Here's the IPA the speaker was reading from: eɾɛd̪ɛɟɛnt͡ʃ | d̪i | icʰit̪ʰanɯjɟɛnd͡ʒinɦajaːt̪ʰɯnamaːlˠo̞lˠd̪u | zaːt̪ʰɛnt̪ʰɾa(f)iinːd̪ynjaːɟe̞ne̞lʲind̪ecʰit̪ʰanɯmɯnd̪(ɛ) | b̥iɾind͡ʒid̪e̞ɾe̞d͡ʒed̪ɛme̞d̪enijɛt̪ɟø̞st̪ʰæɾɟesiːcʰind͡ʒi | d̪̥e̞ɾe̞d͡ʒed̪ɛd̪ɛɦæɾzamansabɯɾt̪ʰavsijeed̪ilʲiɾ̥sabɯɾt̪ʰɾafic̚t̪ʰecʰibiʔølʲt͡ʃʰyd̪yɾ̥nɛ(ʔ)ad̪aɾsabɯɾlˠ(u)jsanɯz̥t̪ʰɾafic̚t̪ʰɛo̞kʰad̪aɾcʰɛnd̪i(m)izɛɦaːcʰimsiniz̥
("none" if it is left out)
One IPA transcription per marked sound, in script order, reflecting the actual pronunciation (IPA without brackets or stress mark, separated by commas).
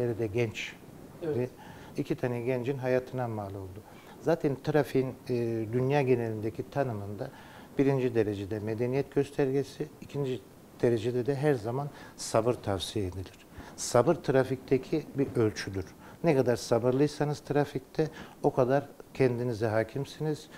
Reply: f, a, k, ɯ, n